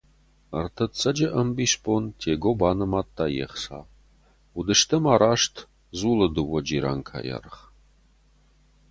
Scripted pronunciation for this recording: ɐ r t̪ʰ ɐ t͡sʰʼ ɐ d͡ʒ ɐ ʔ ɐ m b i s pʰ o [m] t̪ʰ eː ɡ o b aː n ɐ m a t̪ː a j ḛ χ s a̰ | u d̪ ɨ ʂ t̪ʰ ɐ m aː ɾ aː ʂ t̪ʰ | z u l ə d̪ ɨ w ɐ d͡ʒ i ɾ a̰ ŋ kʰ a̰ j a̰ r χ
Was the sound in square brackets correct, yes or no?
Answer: no